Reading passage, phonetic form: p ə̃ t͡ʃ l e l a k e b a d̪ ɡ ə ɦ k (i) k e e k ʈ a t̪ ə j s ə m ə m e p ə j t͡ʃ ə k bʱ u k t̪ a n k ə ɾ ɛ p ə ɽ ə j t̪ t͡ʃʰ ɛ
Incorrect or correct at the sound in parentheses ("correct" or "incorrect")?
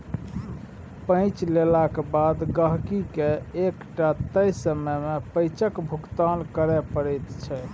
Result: correct